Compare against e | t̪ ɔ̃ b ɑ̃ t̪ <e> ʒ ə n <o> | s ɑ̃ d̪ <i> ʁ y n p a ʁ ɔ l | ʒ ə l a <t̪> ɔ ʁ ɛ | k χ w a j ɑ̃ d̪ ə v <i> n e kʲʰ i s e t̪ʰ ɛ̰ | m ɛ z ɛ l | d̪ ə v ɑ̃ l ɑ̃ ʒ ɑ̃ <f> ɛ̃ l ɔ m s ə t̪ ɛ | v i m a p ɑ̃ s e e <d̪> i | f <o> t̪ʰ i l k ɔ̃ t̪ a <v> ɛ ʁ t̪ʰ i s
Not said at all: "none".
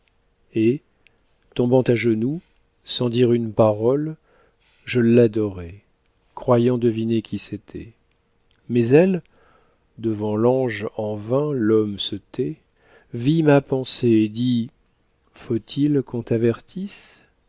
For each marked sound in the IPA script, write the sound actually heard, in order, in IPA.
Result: a, u, i, d̪, i, v, d̪, o, v

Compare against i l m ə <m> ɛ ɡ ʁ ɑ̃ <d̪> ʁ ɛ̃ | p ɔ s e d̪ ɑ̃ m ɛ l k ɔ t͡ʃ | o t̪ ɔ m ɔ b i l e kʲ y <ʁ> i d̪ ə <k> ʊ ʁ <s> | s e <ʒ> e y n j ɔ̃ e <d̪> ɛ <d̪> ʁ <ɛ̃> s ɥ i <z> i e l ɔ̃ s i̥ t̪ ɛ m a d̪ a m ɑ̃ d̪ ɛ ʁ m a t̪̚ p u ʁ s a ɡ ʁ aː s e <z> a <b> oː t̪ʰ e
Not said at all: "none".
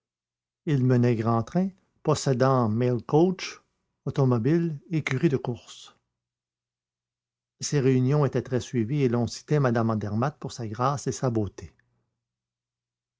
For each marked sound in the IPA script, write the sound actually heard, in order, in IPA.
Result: n, t̪, ʁ, k, s, ʁ, t̪, t̪, ɛ, v, s, b

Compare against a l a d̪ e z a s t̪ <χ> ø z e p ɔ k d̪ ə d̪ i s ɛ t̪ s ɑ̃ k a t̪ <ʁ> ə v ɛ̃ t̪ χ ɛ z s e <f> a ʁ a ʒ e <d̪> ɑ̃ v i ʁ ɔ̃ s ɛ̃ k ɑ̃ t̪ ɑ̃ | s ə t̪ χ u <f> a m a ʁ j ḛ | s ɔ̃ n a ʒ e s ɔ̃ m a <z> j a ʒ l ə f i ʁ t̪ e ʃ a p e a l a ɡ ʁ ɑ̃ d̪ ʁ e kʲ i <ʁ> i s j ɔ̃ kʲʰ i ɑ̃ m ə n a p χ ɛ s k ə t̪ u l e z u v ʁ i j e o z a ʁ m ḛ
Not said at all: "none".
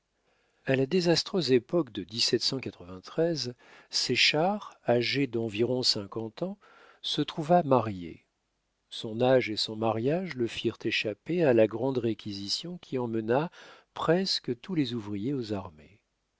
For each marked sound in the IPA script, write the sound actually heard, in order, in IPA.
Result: χ, χ, ʃ, d̪, v, ʁ, z

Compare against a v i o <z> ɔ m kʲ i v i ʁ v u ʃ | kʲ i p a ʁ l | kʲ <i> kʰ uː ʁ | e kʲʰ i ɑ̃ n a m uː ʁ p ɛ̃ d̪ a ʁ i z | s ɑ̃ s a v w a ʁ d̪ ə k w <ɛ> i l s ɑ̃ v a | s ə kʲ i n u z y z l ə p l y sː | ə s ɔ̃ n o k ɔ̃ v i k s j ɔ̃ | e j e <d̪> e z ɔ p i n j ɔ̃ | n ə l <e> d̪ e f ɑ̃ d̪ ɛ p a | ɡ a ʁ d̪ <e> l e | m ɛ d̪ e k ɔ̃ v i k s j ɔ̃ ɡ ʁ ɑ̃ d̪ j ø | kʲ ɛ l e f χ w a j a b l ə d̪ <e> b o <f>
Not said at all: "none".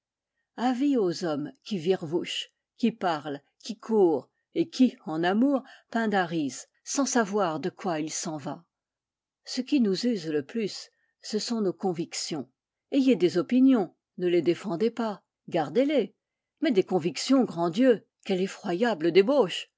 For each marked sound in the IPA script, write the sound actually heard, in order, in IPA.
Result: z, i, a, d̪, e, e, e, ʃ

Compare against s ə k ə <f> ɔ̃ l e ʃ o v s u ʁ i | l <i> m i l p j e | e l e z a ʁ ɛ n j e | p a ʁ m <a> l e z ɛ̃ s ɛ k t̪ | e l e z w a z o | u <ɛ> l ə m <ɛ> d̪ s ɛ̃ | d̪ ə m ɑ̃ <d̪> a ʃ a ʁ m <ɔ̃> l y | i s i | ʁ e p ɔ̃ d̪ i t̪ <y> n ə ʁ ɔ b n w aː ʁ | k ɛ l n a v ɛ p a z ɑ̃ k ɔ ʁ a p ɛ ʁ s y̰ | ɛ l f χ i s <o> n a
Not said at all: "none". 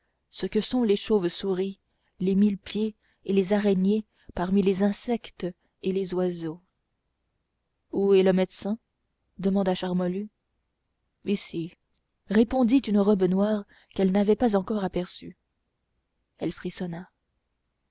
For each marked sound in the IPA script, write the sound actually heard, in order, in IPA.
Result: s, e, i, ɛ, ɛ, d̪, ɔ, y, ɔ

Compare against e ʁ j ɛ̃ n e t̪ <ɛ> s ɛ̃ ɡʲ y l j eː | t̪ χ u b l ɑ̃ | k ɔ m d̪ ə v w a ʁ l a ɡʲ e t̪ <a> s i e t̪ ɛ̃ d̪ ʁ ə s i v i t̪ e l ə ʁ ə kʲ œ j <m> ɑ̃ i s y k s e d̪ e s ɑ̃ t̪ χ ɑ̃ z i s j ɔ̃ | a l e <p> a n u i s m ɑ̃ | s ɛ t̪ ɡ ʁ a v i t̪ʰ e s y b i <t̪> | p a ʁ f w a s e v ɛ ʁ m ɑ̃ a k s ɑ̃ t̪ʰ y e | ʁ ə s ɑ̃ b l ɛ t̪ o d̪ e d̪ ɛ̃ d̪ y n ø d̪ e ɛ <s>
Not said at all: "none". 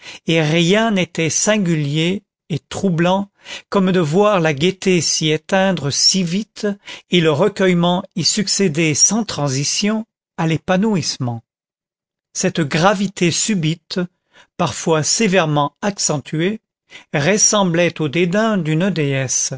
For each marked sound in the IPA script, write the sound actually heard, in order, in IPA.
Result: ɛ, e, m, p, t̪, s

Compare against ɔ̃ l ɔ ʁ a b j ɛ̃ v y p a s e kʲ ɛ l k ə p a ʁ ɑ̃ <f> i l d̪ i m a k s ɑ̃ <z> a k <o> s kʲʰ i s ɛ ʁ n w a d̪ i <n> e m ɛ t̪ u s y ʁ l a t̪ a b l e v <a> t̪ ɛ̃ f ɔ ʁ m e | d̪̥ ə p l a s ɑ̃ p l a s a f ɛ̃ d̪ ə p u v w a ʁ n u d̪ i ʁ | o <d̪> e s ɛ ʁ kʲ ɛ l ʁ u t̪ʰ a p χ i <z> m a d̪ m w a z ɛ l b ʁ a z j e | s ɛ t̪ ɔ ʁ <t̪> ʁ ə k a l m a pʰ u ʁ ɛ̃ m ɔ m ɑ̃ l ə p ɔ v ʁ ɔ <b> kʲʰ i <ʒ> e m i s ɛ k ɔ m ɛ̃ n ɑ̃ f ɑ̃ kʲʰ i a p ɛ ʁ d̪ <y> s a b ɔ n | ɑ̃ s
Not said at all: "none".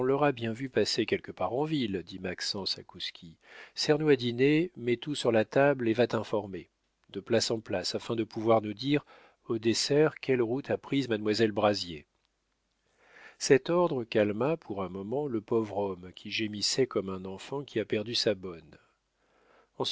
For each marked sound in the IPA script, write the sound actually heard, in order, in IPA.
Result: v, s, u, n, a, d̪, z, d̪, m, ʒ, y

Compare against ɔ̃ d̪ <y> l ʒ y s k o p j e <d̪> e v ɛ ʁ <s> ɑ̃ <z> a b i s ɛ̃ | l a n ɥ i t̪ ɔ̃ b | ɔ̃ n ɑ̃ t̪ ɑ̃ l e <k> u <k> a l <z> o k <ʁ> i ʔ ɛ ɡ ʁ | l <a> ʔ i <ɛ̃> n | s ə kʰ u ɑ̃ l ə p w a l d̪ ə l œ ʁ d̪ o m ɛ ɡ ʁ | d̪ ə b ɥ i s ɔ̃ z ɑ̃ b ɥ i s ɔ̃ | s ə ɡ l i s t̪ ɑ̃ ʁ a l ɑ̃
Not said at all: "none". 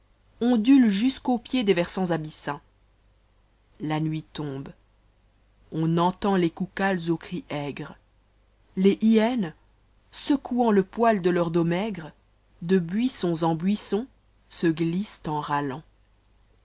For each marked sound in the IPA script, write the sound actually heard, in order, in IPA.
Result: y, d̪, s, z, k, k, z, χ, e, ɛ

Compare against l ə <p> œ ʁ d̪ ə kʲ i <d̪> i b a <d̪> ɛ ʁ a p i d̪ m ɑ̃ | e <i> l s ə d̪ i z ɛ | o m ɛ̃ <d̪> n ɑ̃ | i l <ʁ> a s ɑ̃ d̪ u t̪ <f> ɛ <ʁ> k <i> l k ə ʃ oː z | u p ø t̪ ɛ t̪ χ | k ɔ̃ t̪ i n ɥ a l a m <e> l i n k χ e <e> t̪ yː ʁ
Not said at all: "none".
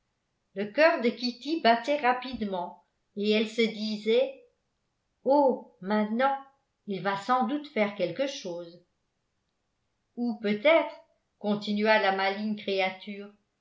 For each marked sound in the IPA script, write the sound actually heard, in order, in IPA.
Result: k, t̪, t̪, ɛ, t̪, v, f, ʁ, ɛ, a, a

